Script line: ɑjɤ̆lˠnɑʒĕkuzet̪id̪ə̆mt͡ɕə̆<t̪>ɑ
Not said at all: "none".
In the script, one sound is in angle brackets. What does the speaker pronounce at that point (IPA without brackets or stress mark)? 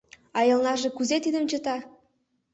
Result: t̪